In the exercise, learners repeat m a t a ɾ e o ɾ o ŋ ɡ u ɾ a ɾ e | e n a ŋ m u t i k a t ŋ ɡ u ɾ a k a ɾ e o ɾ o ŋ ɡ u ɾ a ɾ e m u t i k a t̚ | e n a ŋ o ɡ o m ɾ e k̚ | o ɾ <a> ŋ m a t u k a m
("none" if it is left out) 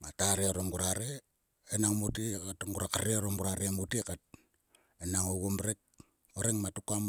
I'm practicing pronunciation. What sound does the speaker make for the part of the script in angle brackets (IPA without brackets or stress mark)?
e